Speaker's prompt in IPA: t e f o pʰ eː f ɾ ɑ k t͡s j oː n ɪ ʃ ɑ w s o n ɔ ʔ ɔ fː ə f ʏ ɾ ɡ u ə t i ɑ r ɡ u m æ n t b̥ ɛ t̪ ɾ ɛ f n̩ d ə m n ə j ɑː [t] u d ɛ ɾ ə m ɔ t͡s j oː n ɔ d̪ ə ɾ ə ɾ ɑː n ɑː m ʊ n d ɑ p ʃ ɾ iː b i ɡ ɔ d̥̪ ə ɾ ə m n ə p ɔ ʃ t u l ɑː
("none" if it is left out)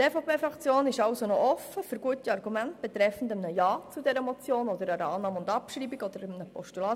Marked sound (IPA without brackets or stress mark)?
t͡s